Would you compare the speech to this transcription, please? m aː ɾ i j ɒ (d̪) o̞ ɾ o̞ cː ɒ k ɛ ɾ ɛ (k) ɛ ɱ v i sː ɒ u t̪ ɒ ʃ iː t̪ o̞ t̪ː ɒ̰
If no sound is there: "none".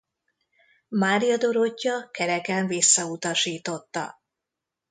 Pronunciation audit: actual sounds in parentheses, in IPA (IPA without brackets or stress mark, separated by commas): d̪, k